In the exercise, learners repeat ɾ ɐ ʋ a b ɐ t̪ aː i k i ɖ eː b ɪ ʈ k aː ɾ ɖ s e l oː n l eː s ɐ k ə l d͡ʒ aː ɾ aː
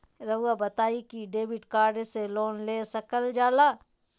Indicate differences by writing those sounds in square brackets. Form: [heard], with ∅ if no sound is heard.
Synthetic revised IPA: ɾ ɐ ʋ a b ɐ t̪ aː i k i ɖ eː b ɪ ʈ k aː ɾ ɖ s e l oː n l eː s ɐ k ə l d͡ʒ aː [l] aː